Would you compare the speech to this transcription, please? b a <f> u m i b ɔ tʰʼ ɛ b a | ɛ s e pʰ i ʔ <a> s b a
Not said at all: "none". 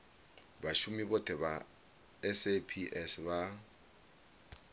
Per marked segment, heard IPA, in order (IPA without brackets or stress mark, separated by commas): ʃ, ɛ